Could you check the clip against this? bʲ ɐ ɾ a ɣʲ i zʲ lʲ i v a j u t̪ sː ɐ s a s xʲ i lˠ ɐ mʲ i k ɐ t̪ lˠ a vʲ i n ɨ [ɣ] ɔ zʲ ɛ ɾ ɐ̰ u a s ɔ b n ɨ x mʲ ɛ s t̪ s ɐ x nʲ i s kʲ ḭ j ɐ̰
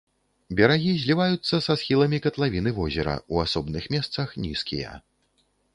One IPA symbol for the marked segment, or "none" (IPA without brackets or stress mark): v